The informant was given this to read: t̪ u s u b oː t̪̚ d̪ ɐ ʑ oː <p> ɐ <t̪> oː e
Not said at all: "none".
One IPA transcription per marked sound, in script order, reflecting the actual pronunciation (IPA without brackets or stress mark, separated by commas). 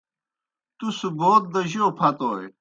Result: pʰ, t̪